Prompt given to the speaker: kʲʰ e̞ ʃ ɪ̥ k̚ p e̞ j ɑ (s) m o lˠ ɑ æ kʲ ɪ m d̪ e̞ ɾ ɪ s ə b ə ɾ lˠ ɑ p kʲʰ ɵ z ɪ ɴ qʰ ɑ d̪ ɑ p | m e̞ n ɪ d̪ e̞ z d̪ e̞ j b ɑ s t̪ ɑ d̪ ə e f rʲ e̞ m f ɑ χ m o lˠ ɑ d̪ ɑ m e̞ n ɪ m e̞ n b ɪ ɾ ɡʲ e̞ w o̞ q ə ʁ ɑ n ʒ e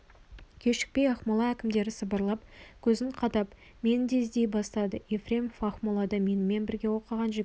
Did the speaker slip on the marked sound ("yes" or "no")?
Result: yes